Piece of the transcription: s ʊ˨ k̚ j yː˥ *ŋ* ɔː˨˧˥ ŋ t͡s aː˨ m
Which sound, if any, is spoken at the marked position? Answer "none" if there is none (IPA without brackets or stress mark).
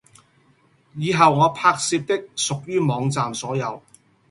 m